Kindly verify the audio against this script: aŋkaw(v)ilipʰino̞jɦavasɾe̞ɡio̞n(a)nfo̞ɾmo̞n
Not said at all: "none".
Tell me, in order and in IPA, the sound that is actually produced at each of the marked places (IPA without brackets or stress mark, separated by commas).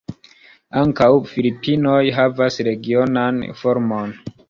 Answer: f, a